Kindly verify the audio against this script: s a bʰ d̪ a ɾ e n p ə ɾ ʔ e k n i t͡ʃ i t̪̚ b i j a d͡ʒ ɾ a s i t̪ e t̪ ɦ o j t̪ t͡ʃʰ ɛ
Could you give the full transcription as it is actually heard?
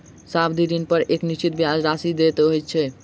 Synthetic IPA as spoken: s a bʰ d̪ i ɾ i n p ə ɾ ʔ e k n i t͡ʃ i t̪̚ b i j a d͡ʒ ɾ a s i d̪ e t̪ ɦ o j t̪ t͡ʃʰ ɛ